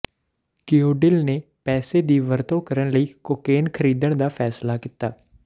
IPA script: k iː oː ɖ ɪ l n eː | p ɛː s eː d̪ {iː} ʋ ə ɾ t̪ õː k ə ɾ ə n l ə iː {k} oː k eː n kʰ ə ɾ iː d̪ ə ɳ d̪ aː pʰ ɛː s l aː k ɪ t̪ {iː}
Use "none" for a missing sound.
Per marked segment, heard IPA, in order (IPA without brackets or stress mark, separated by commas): iː, k, aː